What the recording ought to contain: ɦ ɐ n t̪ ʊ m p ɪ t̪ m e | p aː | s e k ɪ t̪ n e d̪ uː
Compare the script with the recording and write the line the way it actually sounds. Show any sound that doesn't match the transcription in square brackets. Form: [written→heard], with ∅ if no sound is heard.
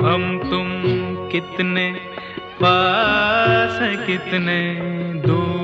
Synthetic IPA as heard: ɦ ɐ [n→m] t̪ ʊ m [p→k] ɪ t̪ [m→n] e | p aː | s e k ɪ t̪ n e d̪ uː